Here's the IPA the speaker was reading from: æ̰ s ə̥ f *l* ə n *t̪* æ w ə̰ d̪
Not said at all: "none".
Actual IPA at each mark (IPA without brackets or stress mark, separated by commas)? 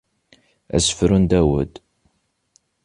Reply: ɾ, d̪